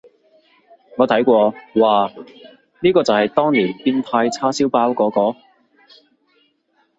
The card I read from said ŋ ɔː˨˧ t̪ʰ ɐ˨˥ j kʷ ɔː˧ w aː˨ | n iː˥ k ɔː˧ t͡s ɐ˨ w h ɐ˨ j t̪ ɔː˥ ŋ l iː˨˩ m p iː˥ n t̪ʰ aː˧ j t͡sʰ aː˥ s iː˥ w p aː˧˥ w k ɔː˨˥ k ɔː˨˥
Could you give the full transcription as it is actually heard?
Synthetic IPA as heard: ŋ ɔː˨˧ t̪ʰ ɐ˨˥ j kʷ ɔː˧ w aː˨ | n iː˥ k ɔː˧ t͡s ɐ˨ w h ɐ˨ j t̪ ɔː˥ ŋ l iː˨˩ n p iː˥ n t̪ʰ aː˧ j t͡sʰ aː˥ s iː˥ w p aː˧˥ w k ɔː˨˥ k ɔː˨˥